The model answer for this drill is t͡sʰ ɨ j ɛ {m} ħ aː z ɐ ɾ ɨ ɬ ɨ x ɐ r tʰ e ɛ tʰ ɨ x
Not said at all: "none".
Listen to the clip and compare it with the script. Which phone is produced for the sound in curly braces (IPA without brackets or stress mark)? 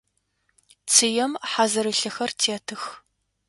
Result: m